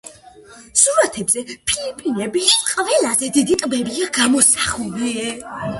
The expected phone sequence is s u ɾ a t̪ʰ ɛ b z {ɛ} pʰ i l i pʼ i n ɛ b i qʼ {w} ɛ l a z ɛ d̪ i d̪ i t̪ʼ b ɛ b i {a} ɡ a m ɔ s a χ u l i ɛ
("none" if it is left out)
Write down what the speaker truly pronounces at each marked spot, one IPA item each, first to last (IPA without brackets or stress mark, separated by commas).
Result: ɛ, v, a